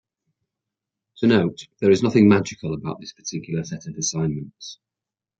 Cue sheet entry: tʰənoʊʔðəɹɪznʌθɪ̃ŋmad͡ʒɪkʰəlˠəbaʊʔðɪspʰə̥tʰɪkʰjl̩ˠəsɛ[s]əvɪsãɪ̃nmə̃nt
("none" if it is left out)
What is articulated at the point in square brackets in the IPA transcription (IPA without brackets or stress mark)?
t